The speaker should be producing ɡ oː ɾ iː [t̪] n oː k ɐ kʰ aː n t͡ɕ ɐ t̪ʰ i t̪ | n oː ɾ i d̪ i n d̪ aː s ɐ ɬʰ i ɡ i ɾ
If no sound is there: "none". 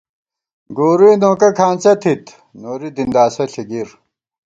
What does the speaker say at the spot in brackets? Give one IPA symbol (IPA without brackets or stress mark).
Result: none